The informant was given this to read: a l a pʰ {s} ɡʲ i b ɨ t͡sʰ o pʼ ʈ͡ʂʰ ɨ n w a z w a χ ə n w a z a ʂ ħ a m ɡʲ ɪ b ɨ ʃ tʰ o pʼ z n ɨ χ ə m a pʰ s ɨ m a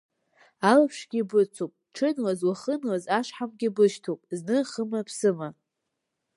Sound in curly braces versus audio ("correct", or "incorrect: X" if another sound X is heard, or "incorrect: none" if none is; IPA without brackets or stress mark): incorrect: ʂ